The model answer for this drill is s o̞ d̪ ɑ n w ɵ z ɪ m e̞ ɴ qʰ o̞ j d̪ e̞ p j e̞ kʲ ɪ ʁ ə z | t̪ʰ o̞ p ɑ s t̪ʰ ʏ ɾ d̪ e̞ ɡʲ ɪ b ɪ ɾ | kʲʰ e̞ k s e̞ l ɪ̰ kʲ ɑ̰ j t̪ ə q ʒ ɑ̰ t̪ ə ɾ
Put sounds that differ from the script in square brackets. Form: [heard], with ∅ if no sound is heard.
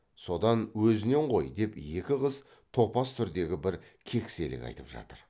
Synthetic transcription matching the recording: s o̞ d̪ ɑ n w ɵ z ɪ [n] e̞ ɴ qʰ o̞ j d̪ e̞ p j e̞ kʲ ɪ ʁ ə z | t̪ʰ o̞ p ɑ s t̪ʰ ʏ ɾ d̪ e̞ ɡʲ ɪ b ɪ ɾ | kʲʰ e̞ k s e̞ l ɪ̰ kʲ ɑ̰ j t̪ ə [p] ʒ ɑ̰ t̪ ə ɾ